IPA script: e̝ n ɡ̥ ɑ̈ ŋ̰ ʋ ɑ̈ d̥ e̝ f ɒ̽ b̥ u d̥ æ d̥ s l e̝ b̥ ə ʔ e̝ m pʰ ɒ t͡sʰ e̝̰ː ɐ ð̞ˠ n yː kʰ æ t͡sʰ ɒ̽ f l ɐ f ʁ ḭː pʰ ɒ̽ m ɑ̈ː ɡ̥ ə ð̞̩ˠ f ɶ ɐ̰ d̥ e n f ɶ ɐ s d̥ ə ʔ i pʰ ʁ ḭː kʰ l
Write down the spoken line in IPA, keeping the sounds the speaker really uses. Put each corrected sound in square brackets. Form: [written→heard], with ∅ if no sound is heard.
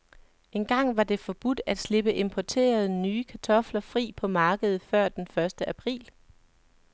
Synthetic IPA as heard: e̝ n ɡ̥ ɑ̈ ŋ̰ ʋ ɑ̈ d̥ e̝ f ɒ̽ b̥ u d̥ æ d̥ s l e̝ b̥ ə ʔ e̝ m pʰ ɒ t͡sʰ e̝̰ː ɐ ð̞ˠ n yː kʰ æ t͡sʰ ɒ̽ f l ɐ f ʁ ḭː pʰ ɒ̽ m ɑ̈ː ɡ̥ ə ð̞̩ˠ f ɶ ɐ̰ d̥ e n f ɶ ɐ s d̥ ə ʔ [i→æ] pʰ ʁ ḭː [kʰ→∅] l